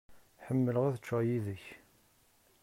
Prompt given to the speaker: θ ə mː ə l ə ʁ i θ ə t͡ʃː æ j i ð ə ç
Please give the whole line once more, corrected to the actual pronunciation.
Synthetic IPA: ħ ə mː ə l ə ʁ æ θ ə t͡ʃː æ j i ð ə ç